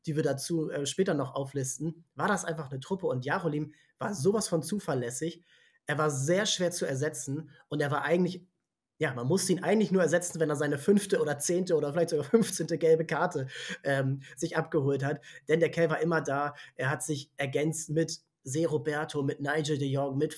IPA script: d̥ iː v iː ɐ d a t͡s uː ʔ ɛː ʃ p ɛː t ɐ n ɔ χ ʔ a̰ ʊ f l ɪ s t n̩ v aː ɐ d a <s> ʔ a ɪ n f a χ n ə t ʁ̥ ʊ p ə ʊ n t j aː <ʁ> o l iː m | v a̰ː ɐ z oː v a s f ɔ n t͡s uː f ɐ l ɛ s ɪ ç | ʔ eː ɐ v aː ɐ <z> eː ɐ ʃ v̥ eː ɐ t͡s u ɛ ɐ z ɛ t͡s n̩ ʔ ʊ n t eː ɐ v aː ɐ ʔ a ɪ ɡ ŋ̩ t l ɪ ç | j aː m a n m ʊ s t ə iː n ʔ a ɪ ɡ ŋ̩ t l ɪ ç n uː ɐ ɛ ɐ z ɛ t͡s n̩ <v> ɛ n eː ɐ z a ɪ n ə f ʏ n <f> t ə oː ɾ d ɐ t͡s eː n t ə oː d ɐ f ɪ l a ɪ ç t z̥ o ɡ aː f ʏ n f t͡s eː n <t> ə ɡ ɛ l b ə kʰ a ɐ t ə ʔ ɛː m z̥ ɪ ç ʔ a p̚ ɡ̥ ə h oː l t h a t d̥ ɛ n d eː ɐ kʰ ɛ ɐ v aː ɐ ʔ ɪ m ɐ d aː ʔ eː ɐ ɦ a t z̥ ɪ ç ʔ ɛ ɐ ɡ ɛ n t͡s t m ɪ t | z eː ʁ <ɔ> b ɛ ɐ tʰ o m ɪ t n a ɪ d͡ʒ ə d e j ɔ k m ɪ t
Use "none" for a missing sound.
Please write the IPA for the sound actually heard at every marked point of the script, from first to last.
s, ʁ, z, v, f, t, o

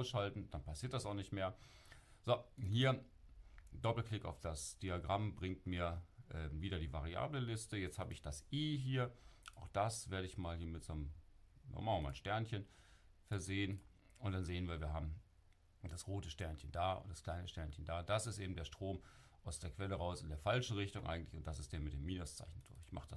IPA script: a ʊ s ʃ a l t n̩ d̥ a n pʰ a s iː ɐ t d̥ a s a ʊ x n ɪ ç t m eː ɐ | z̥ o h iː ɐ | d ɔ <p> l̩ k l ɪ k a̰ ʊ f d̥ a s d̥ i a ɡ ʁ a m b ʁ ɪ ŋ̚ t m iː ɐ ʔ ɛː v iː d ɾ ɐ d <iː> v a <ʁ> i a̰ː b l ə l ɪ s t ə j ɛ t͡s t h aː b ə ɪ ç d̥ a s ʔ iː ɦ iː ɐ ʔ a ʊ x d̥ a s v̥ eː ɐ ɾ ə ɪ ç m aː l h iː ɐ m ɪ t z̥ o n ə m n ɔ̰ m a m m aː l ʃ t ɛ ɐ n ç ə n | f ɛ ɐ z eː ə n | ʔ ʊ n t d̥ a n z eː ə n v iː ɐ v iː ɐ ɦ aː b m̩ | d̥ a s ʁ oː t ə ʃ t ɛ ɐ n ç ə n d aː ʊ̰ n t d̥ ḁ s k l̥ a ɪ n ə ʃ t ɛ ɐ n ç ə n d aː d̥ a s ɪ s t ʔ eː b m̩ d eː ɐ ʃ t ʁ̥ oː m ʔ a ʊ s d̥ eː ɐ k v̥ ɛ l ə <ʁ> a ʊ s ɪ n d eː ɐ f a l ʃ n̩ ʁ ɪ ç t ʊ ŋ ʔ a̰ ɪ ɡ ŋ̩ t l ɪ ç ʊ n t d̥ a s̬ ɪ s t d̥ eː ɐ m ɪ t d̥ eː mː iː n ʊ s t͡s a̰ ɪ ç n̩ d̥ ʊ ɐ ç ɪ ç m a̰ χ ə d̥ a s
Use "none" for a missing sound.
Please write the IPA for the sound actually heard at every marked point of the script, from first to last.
p, iː, ʁ, ʁ

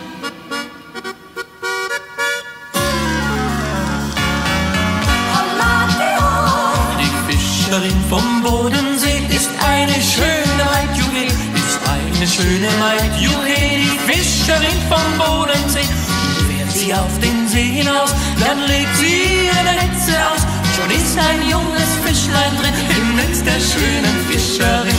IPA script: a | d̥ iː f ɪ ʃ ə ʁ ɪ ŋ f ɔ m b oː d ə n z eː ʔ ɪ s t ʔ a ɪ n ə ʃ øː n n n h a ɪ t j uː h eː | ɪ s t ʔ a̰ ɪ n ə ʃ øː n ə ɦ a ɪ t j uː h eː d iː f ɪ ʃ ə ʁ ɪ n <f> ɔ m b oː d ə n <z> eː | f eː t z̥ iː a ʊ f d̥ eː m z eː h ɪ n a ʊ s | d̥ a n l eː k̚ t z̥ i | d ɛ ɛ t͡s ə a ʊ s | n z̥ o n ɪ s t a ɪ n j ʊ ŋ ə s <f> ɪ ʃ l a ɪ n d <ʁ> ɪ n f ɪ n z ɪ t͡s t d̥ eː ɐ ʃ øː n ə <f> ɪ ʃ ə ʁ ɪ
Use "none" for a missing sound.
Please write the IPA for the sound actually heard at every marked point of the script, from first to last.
f, z, f, ʁ, f

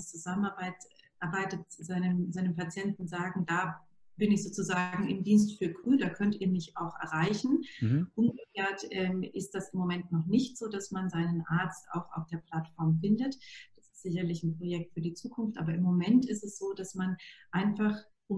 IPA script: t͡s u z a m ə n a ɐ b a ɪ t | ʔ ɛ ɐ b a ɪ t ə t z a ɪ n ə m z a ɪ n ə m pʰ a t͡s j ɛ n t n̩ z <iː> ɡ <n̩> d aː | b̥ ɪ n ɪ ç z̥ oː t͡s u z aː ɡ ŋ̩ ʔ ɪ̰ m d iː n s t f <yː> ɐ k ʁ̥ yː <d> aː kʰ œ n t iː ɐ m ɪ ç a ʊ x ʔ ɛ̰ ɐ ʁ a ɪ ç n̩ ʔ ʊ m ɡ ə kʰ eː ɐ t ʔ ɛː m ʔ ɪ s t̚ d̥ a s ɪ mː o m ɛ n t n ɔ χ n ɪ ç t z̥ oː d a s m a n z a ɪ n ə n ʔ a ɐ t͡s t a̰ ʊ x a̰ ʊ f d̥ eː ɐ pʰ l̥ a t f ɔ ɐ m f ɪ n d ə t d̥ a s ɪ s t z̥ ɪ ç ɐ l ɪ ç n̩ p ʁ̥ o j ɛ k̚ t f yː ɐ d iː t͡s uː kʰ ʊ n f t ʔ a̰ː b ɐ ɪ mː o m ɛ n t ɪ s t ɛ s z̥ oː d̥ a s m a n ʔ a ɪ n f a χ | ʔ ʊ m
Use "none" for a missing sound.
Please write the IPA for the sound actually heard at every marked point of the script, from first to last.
aː, ŋ̩, yː, d

